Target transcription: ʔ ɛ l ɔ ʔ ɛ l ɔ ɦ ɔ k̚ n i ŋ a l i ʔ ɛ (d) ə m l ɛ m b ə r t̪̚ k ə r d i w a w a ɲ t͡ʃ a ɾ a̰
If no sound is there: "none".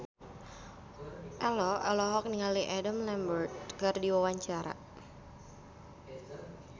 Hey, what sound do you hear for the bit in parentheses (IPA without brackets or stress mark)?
d